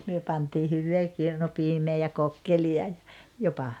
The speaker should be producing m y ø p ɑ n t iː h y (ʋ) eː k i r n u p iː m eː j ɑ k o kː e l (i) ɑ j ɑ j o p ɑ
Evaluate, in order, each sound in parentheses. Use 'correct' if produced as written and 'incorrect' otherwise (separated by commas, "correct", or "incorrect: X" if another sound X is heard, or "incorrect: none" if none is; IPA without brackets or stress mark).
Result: incorrect: ʋː, correct